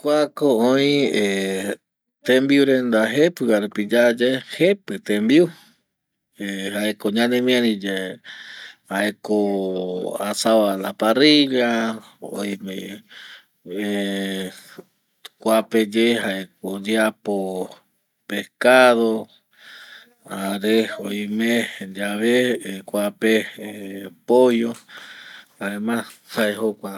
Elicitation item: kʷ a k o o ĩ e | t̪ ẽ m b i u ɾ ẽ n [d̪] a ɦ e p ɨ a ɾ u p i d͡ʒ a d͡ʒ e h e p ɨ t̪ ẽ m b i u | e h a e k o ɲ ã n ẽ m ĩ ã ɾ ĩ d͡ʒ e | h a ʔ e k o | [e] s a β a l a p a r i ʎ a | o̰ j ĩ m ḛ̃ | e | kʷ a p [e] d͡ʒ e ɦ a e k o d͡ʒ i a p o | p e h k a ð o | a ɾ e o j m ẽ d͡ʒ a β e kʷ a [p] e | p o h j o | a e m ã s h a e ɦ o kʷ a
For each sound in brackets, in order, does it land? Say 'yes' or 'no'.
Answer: yes, no, yes, yes

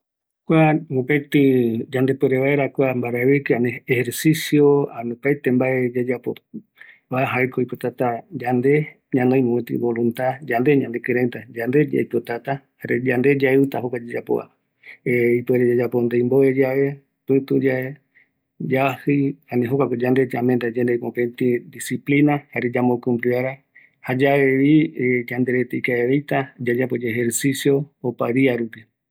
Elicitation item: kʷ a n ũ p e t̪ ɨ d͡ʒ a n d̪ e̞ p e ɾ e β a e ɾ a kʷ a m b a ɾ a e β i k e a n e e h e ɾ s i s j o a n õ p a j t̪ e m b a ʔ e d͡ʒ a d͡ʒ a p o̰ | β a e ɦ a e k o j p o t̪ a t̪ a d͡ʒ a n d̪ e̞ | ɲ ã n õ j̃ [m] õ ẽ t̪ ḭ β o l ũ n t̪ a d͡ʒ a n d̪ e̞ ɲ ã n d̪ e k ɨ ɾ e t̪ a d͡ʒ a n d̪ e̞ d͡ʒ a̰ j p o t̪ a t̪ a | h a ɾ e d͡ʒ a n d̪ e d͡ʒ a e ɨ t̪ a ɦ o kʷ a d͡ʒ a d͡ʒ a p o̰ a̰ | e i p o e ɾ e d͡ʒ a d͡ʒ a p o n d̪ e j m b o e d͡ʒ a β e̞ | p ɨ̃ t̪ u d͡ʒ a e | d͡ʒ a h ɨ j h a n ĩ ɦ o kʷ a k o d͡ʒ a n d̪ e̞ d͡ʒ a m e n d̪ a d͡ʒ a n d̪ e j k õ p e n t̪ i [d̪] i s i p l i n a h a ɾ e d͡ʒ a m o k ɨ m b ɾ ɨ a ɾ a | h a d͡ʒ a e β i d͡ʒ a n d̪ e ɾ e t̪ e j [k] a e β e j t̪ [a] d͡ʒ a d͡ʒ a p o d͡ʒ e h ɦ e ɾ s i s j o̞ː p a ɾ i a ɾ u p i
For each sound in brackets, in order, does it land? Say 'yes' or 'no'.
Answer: yes, yes, yes, yes

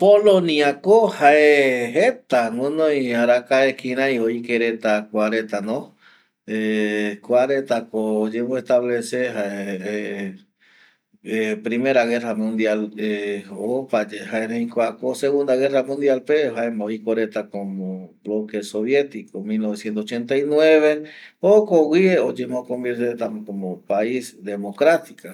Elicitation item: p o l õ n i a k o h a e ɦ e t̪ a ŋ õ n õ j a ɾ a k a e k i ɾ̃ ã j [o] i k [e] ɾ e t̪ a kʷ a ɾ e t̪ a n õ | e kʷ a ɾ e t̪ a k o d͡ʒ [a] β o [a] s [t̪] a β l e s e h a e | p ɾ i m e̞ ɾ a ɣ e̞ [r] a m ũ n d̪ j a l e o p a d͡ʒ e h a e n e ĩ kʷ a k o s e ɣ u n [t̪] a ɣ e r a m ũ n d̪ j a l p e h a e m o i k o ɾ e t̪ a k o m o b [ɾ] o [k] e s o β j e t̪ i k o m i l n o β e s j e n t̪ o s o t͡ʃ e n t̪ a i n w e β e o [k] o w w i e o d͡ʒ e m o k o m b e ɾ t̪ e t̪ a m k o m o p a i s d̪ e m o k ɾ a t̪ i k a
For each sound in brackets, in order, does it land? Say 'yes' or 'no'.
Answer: yes, yes, no, no, yes, yes, no, no, yes, yes

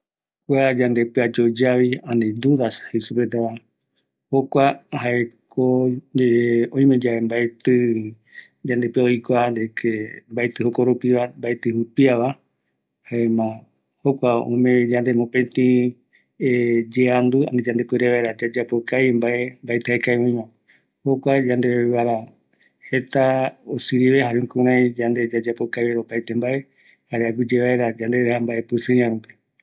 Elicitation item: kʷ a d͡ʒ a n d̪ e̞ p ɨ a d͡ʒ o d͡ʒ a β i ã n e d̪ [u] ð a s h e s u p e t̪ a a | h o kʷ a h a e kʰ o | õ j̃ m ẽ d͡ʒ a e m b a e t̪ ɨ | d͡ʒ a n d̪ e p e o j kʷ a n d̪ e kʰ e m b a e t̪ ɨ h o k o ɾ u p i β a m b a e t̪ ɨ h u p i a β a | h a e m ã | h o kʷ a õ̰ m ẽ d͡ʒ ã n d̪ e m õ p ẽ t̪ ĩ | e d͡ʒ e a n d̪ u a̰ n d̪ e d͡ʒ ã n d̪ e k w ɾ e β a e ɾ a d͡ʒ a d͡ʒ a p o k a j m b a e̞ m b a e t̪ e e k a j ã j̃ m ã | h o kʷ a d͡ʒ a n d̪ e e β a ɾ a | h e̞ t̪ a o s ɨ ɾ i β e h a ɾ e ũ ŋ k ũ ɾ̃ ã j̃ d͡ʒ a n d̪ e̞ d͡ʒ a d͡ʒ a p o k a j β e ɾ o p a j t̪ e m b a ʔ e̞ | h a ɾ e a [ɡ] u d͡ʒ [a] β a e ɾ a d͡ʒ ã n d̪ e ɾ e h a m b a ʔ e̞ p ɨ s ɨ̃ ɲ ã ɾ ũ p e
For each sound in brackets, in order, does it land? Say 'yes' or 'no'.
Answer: yes, yes, no

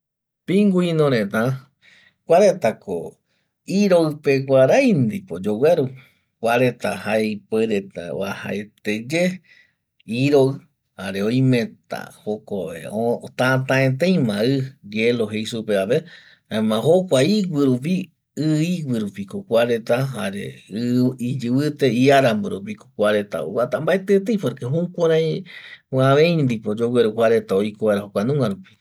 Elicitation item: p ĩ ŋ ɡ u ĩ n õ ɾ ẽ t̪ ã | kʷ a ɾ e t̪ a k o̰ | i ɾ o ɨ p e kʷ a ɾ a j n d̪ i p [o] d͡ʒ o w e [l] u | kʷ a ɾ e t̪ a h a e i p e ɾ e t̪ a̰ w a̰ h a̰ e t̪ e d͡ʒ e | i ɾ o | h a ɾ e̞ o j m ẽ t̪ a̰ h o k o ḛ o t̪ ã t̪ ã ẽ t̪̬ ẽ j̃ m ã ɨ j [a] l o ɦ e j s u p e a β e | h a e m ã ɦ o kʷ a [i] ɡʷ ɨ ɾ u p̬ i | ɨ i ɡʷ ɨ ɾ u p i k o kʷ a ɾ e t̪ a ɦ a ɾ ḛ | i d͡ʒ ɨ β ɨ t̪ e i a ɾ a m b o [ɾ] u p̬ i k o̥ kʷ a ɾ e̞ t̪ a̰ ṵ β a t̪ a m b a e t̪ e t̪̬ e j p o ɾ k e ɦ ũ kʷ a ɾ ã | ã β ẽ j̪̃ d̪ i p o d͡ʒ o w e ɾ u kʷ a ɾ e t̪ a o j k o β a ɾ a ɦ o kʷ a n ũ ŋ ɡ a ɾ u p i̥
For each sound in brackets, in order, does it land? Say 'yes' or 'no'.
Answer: yes, no, no, yes, yes

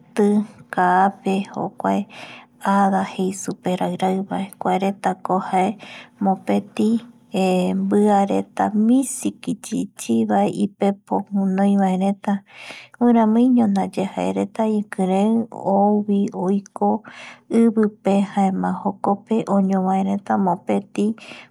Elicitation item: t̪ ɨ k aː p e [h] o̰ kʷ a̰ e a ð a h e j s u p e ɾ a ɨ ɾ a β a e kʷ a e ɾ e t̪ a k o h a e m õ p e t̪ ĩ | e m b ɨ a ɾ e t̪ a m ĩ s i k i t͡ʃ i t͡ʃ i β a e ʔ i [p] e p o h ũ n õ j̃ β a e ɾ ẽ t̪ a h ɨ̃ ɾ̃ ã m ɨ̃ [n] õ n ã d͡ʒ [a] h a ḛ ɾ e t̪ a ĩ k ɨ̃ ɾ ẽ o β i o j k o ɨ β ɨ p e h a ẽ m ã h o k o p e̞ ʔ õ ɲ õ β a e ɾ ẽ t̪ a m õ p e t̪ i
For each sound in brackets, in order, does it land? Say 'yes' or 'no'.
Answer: yes, yes, no, no

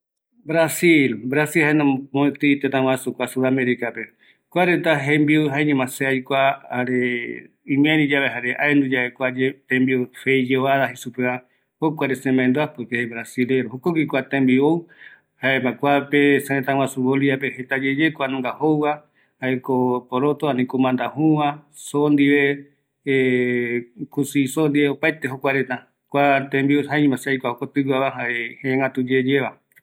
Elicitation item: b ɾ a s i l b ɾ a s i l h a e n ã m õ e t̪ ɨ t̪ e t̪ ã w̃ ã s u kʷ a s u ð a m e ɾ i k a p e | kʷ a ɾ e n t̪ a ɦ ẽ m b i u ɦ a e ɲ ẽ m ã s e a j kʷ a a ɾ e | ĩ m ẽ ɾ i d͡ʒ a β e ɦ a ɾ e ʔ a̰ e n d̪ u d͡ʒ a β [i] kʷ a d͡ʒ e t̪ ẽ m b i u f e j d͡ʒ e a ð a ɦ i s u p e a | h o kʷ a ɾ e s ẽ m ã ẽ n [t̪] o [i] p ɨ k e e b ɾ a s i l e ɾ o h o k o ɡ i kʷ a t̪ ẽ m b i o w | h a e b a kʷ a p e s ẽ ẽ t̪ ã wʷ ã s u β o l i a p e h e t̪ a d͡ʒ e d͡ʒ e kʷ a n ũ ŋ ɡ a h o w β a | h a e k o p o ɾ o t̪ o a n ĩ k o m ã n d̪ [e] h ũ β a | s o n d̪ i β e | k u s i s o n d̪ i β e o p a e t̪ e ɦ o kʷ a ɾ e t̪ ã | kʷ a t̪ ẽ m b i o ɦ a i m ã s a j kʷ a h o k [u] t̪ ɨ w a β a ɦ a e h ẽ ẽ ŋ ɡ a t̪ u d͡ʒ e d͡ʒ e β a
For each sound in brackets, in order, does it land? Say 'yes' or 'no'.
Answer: no, no, no, no, no

